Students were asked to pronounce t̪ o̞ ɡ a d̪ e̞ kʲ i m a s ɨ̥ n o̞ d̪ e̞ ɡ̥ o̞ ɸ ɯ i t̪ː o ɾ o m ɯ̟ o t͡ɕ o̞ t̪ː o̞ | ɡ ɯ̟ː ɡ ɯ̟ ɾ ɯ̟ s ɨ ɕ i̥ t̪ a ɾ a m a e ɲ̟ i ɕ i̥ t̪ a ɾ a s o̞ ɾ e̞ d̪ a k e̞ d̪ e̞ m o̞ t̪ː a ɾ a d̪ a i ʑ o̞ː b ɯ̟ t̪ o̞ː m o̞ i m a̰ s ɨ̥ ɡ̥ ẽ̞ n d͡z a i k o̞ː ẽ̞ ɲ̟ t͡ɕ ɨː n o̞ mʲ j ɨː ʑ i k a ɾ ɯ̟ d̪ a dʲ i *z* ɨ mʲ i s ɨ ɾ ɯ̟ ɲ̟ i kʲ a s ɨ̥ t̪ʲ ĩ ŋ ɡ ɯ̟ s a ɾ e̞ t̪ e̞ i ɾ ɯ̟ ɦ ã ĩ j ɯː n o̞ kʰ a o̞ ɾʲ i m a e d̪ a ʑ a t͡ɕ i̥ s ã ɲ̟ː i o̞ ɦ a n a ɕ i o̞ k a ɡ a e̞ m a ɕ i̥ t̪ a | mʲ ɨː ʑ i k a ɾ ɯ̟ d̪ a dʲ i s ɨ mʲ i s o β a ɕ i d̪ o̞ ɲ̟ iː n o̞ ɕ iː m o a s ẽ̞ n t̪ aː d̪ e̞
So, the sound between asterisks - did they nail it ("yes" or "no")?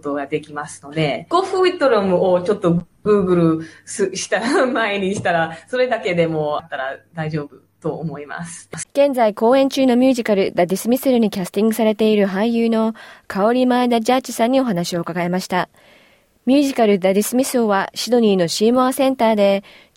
no